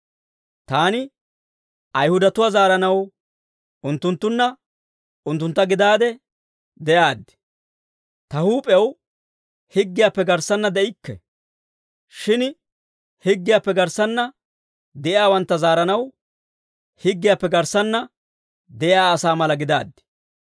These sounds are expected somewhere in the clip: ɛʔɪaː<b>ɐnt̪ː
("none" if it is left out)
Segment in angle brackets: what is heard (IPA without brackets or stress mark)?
w